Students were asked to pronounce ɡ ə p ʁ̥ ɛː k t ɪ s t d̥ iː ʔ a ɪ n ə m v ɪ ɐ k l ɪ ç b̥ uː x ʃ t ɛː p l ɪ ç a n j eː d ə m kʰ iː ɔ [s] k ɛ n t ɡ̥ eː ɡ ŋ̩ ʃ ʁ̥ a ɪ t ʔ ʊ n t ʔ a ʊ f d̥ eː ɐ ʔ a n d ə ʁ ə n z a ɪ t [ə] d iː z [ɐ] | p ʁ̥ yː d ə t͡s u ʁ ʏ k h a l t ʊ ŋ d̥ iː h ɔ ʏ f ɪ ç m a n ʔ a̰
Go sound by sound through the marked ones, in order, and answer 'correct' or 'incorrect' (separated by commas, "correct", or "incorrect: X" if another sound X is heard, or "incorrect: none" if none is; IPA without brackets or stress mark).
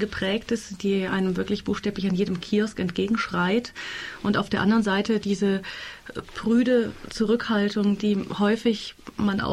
correct, correct, incorrect: ə